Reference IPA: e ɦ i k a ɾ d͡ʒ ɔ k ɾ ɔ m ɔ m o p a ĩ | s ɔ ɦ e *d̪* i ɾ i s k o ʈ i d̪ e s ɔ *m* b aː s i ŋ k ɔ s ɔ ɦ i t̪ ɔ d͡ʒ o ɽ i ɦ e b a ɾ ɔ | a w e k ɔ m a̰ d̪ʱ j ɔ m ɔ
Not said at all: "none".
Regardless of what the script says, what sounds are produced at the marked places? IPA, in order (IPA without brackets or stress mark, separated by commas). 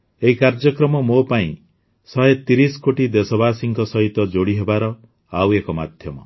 t̪, none